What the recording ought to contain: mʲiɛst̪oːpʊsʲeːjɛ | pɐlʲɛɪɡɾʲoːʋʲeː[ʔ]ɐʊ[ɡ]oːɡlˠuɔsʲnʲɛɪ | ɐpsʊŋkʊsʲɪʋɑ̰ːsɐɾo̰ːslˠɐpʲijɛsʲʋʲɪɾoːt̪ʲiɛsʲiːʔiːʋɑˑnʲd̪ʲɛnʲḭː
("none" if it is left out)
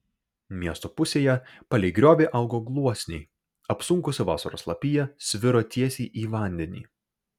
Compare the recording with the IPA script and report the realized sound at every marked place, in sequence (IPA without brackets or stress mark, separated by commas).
ʔ, ɡ